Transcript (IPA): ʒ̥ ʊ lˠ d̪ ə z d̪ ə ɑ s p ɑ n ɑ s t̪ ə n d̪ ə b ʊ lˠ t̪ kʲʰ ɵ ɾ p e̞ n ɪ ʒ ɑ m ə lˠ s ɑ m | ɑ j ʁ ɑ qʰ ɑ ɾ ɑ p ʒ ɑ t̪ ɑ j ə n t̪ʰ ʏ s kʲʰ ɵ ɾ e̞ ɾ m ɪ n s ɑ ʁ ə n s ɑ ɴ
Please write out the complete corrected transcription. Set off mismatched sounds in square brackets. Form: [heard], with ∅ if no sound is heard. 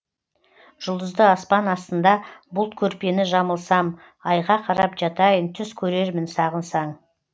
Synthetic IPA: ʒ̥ ʊ lˠ d̪ ə z d̪ ə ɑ s p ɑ n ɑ s t̪ ə n d̪ [ɑ] b ʊ lˠ t̪ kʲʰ ɵ ɾ p e̞ n ɪ ʒ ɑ m ə lˠ s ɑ m | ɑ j ʁ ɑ qʰ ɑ ɾ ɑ p ʒ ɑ t̪ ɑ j ə n t̪ʰ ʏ s kʲʰ ɵ ɾ e̞ ɾ m ɪ n s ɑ ʁ ə n s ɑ ɴ